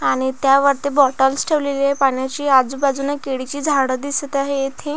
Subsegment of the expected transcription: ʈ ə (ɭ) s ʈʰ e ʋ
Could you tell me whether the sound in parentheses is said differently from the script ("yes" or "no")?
yes